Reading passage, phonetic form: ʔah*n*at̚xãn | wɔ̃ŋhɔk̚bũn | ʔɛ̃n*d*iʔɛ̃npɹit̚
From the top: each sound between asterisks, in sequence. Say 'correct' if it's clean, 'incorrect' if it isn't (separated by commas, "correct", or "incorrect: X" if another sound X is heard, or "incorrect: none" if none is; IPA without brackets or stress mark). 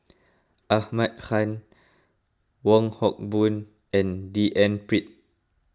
incorrect: m, correct